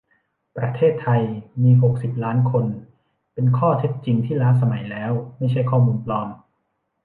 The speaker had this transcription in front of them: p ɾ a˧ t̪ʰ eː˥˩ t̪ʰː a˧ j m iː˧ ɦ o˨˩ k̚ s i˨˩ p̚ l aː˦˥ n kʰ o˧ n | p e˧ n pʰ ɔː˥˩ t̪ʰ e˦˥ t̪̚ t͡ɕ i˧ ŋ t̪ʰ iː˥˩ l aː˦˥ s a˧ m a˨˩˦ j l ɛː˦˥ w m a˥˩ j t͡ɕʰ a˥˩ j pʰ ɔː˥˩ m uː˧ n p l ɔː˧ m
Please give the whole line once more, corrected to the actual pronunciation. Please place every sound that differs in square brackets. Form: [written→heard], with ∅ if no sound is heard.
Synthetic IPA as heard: p ɾ a˧ t̪ʰ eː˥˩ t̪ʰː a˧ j m iː˧ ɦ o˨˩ k̚ s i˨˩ p̚ l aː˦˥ n kʰ o˧ n | p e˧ n [pʰ→kʰ] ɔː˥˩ t̪ʰ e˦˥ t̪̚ t͡ɕ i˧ ŋ t̪ʰ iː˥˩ l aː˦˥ s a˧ m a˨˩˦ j l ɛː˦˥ w m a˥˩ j t͡ɕʰ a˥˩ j [pʰ→kʰ] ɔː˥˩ m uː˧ n p l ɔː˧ m